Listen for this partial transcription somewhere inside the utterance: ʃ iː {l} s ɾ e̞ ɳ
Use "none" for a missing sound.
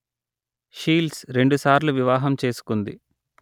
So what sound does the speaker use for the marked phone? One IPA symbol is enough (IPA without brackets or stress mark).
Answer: l